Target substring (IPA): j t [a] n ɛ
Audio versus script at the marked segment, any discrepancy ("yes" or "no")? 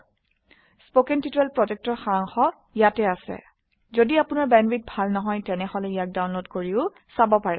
yes